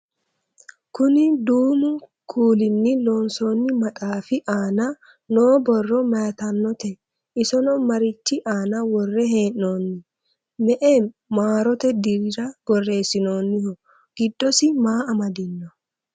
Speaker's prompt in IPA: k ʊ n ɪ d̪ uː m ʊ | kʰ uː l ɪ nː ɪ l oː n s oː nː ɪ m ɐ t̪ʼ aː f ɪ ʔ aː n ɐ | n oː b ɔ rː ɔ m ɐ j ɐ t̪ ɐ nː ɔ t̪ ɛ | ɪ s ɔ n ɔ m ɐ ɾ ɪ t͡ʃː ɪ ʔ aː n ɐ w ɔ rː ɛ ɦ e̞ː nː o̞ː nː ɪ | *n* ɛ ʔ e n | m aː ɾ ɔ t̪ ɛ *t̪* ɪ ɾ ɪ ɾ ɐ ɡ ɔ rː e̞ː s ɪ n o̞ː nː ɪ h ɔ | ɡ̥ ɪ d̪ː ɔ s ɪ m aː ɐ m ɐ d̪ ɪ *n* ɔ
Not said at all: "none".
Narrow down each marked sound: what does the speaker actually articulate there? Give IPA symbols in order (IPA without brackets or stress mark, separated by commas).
m, d̪, nː